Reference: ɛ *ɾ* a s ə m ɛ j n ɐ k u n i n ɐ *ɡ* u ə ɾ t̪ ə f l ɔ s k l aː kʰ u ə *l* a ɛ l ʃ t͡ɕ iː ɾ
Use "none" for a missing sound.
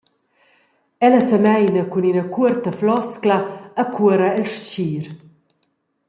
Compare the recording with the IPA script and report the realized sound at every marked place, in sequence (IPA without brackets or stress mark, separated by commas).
l, k, ɾ